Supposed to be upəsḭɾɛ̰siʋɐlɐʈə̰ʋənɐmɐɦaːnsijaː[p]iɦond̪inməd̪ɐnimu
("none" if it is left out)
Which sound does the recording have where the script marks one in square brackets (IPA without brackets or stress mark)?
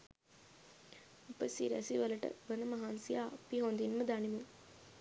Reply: p